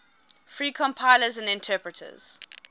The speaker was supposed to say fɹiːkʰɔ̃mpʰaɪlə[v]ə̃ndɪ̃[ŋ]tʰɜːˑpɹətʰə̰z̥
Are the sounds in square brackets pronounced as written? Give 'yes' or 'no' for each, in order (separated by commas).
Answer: no, no